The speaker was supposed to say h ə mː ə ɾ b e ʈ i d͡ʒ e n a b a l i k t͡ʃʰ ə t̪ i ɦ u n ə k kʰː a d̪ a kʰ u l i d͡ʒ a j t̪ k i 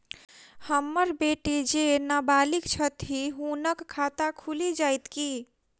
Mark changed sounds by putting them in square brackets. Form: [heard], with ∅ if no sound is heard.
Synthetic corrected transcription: h ə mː ə ɾ b e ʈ i d͡ʒ e n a b a l i k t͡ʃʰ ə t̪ i ɦ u n ə k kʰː a [t̪] a kʰ u l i d͡ʒ a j t̪ k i